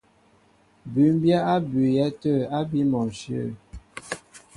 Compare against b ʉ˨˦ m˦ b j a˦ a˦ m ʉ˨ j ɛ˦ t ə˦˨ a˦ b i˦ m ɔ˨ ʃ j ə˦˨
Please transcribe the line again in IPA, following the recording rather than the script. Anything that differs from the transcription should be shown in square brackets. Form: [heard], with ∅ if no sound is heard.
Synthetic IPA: b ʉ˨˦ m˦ b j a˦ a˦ [b] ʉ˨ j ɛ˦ t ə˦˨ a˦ b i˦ m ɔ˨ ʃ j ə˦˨